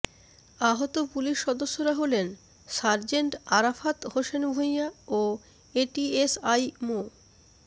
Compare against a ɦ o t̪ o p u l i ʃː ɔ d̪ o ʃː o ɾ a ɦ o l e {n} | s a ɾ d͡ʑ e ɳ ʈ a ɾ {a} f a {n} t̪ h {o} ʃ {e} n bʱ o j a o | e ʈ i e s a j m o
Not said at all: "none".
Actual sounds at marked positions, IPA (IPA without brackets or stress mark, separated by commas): n, a, none, o, e